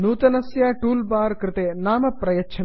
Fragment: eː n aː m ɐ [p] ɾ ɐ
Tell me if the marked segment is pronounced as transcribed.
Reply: yes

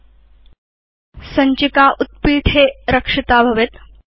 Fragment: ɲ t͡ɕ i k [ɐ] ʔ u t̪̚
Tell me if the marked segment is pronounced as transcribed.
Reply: no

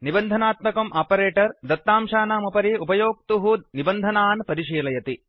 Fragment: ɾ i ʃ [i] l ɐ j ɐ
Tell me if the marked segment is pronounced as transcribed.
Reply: no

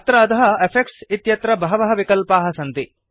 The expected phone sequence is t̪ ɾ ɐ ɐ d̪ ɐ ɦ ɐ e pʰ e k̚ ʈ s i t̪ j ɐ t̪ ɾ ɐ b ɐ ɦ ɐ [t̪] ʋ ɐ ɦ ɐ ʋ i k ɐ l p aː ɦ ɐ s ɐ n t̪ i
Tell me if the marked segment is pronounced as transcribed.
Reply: no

